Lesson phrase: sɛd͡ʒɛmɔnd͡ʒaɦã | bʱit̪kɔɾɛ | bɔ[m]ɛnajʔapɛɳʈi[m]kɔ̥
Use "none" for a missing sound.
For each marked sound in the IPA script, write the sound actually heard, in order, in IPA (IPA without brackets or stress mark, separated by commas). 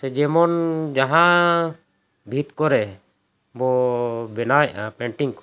b, ŋ